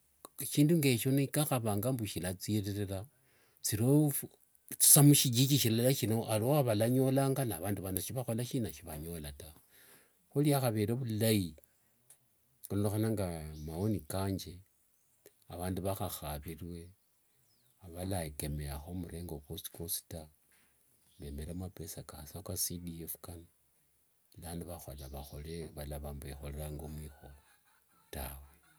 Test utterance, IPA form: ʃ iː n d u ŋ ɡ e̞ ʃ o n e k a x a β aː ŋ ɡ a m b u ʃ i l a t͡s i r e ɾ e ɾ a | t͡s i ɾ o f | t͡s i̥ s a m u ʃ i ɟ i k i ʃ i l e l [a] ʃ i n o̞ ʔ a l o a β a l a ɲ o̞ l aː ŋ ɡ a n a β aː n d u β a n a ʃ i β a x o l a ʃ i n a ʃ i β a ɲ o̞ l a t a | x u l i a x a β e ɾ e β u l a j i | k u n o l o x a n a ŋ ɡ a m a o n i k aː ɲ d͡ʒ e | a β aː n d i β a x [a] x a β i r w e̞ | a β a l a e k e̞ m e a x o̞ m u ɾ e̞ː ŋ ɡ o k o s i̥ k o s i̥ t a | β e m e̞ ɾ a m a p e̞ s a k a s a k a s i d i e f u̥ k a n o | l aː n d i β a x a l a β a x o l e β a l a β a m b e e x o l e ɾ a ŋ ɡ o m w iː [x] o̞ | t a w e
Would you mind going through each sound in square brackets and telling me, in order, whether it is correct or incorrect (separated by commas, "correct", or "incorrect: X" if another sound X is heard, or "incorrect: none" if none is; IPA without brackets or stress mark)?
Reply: correct, correct, correct